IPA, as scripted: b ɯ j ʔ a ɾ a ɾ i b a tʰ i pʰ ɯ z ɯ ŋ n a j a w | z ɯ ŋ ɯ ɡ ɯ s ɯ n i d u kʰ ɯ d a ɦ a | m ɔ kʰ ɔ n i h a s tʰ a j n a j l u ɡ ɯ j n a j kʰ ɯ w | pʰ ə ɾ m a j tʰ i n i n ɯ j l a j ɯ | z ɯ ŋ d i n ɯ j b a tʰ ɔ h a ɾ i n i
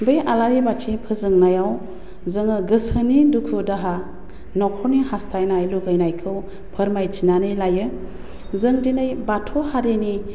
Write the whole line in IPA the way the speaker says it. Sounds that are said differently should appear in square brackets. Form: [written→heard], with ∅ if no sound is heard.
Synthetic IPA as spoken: b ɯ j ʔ a [ɾ→l] a ɾ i b a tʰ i pʰ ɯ z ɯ ŋ n a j a w | z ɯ ŋ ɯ ɡ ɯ s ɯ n i d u kʰ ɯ d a ɦ a | [m→n] ɔ kʰ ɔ n i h a s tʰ a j n a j l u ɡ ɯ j n a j kʰ ɯ w | pʰ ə ɾ m a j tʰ i n [i→a] n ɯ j l a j ɯ | z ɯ ŋ d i n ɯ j b a tʰ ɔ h a ɾ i n i